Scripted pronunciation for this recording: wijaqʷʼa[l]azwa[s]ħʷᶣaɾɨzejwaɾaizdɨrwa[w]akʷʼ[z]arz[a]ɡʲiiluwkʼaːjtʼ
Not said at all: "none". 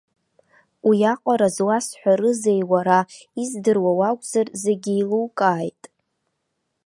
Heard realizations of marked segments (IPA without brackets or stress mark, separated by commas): ɾ, s, w, z, e